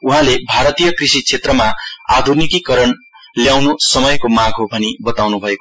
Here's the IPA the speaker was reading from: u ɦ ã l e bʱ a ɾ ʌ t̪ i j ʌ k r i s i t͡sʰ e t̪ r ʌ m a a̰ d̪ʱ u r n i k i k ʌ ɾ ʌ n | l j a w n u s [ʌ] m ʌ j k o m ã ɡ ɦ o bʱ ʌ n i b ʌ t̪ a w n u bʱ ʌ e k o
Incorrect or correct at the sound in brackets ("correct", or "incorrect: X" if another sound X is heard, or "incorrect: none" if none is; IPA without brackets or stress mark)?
correct